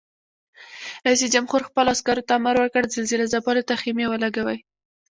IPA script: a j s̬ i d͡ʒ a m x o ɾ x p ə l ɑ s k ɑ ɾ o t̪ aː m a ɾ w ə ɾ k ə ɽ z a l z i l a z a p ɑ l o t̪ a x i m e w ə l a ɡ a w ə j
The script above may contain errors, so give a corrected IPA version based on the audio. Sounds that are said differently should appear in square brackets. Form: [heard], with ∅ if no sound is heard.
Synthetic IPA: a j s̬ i d͡ʒ a m x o ɾ x p ə l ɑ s k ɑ ɾ o t̪ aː m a ɾ w ə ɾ k ə ɽ z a l z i l a z a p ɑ l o t̪ a x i m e w ə l a ɡ a w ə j